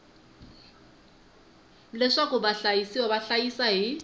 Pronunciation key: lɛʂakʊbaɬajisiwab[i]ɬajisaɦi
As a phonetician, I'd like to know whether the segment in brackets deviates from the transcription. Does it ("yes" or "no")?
yes